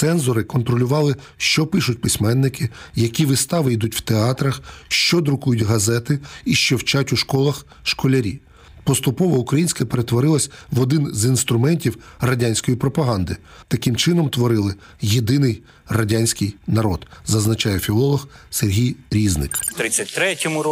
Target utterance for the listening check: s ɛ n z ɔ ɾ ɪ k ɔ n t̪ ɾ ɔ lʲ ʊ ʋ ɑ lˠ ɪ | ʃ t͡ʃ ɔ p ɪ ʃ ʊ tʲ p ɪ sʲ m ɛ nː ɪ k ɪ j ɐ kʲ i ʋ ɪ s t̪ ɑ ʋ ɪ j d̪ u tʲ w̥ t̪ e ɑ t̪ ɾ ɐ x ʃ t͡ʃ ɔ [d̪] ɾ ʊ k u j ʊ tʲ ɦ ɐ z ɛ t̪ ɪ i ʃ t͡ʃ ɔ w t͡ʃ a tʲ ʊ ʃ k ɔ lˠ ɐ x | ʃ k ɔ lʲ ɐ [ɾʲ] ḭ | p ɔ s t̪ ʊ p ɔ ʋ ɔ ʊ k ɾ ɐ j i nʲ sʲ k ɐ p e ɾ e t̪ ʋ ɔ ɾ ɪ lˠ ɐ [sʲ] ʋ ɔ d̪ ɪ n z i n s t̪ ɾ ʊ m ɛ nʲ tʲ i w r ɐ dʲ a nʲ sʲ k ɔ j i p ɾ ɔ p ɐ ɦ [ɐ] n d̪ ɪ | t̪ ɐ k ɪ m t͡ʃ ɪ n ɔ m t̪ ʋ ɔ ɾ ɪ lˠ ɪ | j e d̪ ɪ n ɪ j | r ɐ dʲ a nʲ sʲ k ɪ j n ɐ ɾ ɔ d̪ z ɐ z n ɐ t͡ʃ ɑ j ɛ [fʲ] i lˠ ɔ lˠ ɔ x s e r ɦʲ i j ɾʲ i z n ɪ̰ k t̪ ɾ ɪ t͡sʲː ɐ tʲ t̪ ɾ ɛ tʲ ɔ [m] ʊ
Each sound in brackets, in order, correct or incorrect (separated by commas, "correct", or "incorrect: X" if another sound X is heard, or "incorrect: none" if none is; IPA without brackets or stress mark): correct, correct, correct, incorrect: ɑ, correct, correct